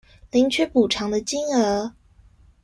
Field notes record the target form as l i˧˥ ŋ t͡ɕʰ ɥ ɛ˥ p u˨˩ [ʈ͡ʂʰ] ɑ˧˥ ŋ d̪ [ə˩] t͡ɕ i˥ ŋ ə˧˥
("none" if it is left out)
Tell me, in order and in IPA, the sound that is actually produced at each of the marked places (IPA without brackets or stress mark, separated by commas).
ʈ͡ʂʰ, ə˧